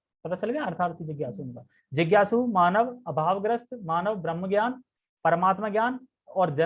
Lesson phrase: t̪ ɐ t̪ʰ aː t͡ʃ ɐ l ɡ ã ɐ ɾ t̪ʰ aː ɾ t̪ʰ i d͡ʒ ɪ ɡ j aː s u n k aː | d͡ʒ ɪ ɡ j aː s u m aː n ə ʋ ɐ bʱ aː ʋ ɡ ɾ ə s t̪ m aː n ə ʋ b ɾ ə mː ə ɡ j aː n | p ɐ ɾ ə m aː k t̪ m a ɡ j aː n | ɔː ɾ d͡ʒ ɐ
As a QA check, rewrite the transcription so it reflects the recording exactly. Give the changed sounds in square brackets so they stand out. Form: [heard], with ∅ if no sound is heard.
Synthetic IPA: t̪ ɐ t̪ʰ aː t͡ʃ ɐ l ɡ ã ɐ ɾ t̪ʰ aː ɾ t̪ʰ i d͡ʒ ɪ ɡ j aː s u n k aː | d͡ʒ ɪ ɡ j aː s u m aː n ə ʋ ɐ bʱ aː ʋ ɡ ɾ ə s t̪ m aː n ə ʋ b ɾ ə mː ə ɡ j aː n | p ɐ ɾ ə m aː [∅] t̪ m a ɡ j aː n | ɔː ɾ d͡ʒ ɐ